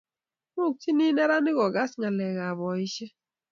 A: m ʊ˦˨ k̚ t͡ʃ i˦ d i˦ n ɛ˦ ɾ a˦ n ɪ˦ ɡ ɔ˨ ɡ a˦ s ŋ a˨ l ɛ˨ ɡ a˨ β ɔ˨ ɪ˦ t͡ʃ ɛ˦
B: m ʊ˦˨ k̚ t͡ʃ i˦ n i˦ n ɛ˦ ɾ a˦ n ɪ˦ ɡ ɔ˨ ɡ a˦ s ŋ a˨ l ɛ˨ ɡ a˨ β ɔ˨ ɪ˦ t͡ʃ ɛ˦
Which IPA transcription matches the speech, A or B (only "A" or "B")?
B